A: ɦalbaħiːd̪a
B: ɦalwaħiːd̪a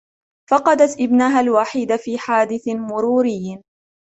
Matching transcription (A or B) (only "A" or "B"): B